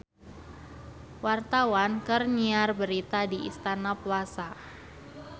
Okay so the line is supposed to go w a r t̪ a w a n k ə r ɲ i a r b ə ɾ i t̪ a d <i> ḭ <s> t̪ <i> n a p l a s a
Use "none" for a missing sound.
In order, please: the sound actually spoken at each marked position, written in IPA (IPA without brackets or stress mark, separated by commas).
i, s, a